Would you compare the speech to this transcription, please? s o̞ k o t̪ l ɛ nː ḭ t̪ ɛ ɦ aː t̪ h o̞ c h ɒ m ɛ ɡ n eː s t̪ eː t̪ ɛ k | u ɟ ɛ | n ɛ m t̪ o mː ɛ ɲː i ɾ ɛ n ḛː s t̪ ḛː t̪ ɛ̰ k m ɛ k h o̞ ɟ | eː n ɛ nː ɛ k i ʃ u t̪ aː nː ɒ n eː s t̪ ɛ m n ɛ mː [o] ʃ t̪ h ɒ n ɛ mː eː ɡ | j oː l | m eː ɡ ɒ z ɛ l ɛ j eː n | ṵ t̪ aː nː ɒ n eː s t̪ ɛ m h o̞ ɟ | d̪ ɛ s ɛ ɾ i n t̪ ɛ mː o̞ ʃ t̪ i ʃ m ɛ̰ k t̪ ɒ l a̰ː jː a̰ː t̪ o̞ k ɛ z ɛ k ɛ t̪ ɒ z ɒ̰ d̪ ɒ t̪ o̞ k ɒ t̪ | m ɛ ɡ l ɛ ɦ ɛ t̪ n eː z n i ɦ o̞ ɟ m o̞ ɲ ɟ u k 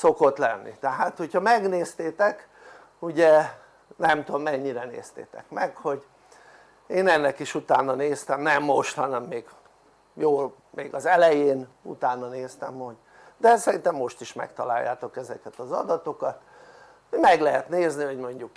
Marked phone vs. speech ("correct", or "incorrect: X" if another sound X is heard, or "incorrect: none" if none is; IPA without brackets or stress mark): correct